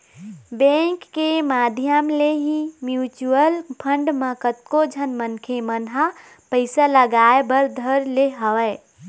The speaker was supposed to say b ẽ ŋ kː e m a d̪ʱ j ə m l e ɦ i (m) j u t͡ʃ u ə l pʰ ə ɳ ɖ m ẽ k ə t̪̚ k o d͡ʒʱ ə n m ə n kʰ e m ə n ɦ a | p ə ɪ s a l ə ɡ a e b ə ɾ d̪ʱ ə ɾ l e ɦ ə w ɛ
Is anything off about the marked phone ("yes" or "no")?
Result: no